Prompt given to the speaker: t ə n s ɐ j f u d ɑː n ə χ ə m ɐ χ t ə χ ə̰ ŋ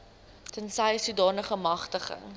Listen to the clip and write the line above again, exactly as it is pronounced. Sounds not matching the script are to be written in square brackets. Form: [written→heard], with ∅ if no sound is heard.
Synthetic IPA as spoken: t ə n s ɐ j [f→s] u d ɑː n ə χ ə m ɐ χ t ə χ ə̰ ŋ